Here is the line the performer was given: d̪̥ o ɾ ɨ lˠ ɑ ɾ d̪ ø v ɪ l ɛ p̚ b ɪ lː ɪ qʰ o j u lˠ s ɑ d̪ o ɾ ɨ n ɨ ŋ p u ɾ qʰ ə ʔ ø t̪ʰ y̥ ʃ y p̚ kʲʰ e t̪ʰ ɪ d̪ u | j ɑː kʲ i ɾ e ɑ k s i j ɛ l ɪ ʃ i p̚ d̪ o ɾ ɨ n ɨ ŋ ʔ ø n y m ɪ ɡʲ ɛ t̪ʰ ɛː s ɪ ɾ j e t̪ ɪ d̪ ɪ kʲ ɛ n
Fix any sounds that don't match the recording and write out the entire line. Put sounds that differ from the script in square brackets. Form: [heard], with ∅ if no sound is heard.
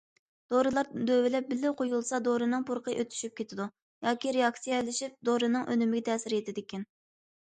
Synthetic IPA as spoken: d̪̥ o ɾ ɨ lˠ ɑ ɾ d̪ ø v ɪ l ɛ p̚ b ɪ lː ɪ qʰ o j u lˠ s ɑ d̪ o ɾ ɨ n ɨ ŋ p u ɾ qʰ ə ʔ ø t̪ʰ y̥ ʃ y p̚ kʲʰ e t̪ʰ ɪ d̪ u | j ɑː kʲ i ɾ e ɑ k s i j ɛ l ɪ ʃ i p̚ d̪ o ɾ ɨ n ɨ ŋ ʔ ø n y m ɪ ɡʲ ɛ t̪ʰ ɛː s ɪ ɾ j e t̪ ɪ d̪ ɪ kʲ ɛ n